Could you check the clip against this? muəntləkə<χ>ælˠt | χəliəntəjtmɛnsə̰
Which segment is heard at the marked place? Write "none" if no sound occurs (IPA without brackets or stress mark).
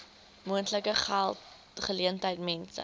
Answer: χ